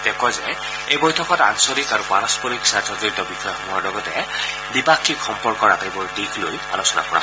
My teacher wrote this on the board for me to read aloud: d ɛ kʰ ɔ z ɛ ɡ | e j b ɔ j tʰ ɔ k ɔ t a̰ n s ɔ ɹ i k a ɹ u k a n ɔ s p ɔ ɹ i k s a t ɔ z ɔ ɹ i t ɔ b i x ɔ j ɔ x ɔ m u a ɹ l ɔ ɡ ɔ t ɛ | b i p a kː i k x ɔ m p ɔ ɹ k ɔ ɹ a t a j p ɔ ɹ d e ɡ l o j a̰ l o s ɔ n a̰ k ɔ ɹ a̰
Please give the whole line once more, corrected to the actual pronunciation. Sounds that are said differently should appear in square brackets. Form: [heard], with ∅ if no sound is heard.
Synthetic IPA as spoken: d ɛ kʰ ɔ z ɛ [∅] | e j b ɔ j tʰ ɔ k ɔ t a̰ n s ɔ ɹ i k a ɹ u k a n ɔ s p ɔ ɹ i k s a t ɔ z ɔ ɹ i t ɔ b i x ɔ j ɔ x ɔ m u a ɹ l ɔ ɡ ɔ t ɛ | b i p a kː i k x ɔ m p ɔ ɹ k ɔ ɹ a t a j [b] ɔ ɹ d [i] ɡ l o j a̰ l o s ɔ n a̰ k ɔ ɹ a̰